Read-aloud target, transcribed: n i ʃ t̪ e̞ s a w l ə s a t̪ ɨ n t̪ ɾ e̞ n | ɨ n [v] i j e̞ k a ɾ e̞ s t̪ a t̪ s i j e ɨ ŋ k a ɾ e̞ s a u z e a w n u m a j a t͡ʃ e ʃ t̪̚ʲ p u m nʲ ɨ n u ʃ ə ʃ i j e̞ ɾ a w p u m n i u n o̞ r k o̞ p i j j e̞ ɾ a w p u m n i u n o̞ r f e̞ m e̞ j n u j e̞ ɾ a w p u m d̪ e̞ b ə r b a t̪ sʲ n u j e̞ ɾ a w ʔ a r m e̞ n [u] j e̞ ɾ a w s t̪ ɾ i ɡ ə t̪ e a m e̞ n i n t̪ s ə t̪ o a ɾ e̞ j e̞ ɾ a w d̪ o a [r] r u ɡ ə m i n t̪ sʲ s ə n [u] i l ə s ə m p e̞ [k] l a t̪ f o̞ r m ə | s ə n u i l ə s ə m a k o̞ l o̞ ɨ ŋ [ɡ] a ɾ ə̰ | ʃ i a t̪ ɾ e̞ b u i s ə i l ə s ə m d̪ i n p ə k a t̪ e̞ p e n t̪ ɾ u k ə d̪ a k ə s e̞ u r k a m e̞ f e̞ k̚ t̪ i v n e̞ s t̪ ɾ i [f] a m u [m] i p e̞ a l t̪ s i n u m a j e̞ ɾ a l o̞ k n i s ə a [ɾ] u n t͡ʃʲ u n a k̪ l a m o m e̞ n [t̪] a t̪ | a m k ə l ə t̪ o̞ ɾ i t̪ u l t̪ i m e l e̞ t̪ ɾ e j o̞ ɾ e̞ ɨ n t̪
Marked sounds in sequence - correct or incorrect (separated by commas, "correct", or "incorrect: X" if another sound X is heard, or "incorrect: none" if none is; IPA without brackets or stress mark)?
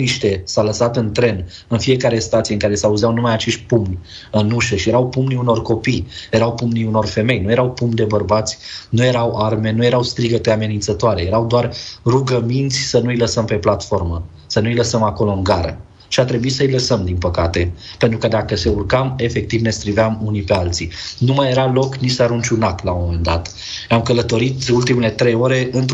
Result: incorrect: f, correct, correct, correct, incorrect: p, correct, incorrect: v, incorrect: n, correct, incorrect: d̪